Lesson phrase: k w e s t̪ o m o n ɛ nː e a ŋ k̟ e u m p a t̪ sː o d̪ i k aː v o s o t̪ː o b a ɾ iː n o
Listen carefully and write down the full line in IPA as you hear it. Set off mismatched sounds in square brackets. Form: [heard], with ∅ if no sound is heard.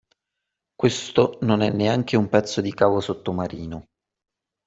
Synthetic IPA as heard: k w e s t̪ o [n] o n ɛ nː e a ŋ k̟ e u m p [ɛ] t̪ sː o d̪ i k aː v o s o t̪ː o [m] a ɾ iː n o